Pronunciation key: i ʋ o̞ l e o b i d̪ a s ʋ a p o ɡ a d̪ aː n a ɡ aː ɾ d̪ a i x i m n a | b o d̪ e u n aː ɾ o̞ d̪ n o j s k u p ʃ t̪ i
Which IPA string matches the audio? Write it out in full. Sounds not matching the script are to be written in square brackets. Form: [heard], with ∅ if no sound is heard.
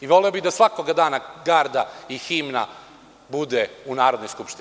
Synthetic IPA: i ʋ o̞ l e o b i d̪ a s ʋ a [k] o ɡ a d̪ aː n a ɡ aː ɾ d̪ a i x i m n a | b [u] d̪ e u n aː ɾ o̞ d̪ n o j s k u p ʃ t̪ i